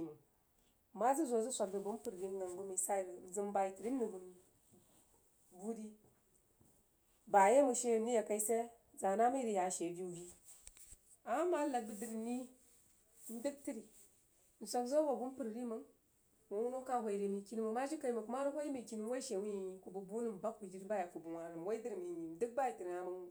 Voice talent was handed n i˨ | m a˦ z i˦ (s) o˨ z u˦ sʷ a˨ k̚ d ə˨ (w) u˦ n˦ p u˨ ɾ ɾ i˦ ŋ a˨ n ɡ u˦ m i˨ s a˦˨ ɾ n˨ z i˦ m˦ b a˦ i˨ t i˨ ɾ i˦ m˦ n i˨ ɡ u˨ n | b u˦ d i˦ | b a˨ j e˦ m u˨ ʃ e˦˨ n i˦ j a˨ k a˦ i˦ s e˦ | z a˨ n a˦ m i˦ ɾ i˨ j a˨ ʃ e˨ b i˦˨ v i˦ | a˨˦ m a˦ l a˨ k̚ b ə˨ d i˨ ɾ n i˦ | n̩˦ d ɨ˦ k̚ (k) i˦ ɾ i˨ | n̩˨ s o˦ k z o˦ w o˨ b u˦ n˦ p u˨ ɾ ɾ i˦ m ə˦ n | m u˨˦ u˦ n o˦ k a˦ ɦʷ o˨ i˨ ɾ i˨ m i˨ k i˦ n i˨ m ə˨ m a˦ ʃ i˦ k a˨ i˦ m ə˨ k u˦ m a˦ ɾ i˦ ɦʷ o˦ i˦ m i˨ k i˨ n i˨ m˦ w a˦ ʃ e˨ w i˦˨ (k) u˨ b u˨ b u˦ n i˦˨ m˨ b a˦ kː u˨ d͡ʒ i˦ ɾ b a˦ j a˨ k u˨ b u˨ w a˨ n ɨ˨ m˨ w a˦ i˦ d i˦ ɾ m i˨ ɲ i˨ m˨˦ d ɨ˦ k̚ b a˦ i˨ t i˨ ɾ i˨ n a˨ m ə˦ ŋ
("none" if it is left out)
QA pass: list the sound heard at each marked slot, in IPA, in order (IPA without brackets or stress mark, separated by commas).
z, b, t, k